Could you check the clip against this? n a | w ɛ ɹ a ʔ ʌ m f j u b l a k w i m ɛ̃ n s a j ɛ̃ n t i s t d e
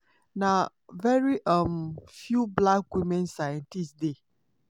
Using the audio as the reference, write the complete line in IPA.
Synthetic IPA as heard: n a | v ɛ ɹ i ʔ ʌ m f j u b l a k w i m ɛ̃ n s a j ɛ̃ n t i s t d e